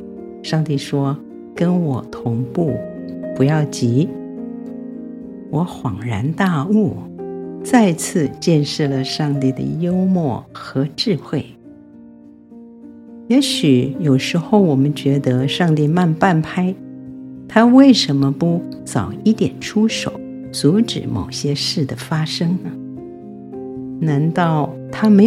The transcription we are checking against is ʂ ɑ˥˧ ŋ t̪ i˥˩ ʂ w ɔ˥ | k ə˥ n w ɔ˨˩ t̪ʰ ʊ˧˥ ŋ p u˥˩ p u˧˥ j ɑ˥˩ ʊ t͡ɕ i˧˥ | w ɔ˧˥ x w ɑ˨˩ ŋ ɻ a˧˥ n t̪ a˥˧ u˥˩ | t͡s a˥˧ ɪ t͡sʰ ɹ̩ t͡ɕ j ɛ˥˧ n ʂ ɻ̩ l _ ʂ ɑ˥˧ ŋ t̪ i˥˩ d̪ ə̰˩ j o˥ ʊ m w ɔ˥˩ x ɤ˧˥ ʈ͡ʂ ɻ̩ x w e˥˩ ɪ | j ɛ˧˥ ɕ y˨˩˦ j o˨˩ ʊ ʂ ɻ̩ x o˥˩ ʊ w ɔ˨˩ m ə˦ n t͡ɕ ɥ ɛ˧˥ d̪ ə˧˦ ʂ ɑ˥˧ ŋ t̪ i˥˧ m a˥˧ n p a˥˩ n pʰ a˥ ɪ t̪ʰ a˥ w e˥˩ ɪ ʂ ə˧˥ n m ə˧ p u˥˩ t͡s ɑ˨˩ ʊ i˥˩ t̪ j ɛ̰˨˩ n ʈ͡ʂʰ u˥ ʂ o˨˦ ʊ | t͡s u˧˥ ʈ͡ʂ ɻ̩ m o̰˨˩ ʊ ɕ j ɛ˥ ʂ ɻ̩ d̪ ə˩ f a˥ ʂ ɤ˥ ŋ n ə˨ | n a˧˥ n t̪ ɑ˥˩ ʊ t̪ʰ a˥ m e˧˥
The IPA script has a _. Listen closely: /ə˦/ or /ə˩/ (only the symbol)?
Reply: ə˩